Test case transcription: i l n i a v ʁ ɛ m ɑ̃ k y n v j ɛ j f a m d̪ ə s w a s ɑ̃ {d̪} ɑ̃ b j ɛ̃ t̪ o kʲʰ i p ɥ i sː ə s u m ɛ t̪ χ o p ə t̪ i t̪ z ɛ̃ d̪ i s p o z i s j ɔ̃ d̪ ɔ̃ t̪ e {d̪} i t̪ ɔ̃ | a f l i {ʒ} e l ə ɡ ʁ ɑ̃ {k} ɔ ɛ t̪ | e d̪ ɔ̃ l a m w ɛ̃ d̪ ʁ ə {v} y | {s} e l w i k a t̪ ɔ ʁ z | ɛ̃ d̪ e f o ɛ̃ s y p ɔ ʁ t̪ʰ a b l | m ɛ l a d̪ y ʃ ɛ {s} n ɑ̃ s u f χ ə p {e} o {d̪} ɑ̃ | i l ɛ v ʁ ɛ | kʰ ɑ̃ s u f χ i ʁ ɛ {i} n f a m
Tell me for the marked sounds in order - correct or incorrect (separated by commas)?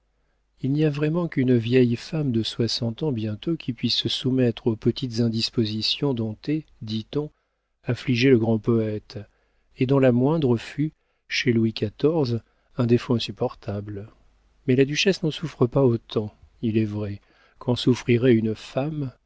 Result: incorrect, correct, correct, incorrect, incorrect, incorrect, correct, incorrect, incorrect, incorrect